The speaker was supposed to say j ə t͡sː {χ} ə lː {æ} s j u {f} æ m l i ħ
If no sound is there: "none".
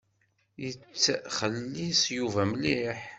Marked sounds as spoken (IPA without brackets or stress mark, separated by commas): χ, i, v